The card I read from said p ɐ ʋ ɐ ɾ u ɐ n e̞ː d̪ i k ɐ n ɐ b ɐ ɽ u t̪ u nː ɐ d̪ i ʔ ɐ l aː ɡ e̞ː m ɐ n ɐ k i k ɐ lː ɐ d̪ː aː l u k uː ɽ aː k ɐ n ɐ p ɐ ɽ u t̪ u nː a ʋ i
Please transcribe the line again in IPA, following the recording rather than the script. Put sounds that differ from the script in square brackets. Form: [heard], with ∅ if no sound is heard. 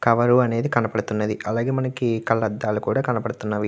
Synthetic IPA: [k] ɐ ʋ ɐ ɾ u ɐ n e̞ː d̪ i k ɐ n ɐ [p] ɐ ɽ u t̪ u nː ɐ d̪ i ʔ ɐ l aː ɡ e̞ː m ɐ n ɐ k i k ɐ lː ɐ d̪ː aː l u k uː ɽ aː k ɐ n ɐ p ɐ ɽ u t̪ u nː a ʋ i